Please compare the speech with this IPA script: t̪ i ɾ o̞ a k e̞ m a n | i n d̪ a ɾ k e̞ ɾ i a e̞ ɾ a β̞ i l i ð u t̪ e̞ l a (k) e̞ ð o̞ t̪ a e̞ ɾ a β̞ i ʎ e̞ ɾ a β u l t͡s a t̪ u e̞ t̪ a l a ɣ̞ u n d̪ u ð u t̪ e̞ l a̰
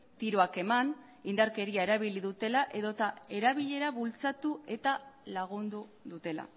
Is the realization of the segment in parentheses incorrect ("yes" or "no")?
yes